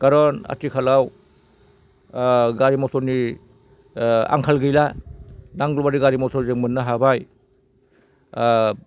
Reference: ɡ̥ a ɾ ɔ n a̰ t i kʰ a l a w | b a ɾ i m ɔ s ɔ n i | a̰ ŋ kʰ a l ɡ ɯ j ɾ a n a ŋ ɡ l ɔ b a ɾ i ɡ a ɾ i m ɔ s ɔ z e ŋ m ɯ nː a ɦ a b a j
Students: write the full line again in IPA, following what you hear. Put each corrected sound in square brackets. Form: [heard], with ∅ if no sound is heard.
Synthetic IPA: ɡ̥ a ɾ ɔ n a̰ t i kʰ a l a w | [ɡ] a ɾ i m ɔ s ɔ n i | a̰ ŋ kʰ a l ɡ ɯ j [l] a n a ŋ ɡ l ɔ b a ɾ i ɡ a ɾ i m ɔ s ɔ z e ŋ m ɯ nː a ɦ a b a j